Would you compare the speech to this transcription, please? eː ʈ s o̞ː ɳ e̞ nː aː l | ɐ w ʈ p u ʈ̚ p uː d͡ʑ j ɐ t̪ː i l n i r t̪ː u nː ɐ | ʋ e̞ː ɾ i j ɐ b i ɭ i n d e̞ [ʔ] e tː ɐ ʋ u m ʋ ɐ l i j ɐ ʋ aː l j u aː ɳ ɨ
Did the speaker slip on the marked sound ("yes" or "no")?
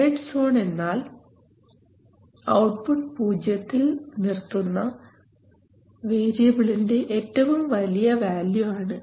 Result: no